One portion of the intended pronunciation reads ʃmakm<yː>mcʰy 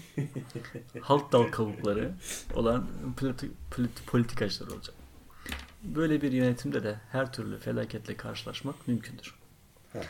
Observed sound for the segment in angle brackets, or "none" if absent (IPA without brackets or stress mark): y